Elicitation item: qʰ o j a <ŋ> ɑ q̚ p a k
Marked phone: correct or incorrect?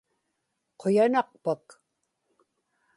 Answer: incorrect: n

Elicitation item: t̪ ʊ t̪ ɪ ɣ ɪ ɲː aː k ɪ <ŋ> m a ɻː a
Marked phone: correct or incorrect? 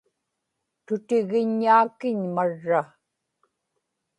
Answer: incorrect: ɲ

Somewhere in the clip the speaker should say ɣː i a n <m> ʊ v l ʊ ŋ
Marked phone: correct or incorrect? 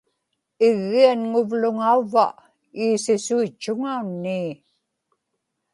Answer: incorrect: ŋ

